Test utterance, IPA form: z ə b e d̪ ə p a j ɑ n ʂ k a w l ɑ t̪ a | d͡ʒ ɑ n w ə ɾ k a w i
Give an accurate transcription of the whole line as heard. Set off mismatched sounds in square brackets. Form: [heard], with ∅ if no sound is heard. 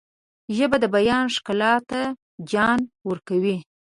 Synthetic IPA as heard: [ʒ] ə b [a] d̪ ə [b] a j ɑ n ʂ k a [∅] l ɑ t̪ a | d͡ʒ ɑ n w ə ɾ k a w i

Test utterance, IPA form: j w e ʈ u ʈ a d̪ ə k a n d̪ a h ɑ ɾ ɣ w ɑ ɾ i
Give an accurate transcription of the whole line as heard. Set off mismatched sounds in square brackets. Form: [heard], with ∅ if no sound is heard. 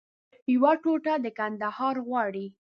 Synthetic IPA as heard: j w [a] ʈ [o] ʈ a d̪ ə k a n d̪ a h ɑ ɾ ɣ w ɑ [ɽ] i

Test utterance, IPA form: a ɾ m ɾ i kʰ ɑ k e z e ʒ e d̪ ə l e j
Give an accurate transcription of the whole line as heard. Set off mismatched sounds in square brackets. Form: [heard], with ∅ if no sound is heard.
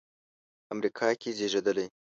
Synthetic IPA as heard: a [∅] m ɾ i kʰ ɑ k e z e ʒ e d̪ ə l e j

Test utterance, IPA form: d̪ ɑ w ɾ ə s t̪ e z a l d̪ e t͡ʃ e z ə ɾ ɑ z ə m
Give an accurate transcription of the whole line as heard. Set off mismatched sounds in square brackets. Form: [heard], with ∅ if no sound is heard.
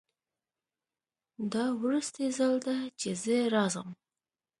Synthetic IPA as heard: d̪ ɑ w ɾ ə s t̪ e z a l d̪ [a] t͡ʃ e z ə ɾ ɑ z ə m

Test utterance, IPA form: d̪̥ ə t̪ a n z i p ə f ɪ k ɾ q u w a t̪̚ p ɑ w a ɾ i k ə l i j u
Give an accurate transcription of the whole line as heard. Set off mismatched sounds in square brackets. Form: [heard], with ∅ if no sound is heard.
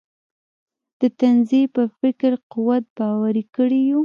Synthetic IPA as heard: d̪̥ ə t̪ a n z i p ə f ɪ k ɾ q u w a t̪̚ [b] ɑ w a ɾ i k ə [ɽ] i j u

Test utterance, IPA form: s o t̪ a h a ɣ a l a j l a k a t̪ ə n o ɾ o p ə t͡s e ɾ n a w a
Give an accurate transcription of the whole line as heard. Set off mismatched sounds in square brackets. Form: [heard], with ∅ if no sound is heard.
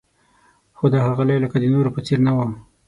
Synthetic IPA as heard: [x] o [d̪] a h a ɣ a l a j l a k a [d̪] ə n o ɾ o p ə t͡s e ɾ n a w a

